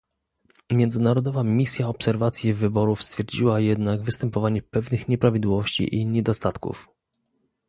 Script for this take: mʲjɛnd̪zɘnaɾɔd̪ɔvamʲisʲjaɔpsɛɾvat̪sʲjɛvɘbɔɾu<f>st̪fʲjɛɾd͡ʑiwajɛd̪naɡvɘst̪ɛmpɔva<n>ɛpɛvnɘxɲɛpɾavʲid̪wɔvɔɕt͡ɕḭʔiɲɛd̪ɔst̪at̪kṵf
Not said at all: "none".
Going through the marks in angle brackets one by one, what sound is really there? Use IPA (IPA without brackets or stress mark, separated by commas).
f, ɲ